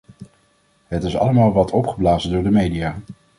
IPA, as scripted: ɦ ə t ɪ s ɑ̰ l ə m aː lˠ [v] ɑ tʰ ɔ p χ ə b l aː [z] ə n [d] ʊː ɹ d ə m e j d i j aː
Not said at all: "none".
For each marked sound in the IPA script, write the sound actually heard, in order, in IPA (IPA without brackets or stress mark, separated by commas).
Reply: ʋ, z, d